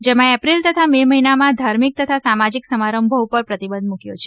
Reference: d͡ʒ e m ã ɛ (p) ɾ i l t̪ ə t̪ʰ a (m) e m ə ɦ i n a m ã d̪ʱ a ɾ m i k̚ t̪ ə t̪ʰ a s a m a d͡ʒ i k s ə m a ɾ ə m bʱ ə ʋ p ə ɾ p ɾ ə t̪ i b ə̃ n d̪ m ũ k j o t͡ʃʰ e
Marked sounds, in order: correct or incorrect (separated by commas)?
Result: correct, correct